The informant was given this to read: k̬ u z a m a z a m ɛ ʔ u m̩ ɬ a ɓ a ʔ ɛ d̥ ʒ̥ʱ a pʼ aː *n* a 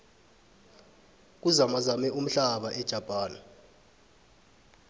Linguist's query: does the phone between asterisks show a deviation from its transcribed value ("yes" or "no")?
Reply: no